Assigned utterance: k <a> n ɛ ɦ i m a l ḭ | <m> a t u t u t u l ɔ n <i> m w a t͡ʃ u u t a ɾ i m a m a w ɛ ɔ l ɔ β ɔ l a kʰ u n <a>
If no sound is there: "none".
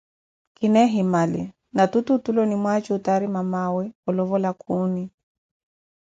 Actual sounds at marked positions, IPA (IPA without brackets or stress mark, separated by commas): i, n, i, i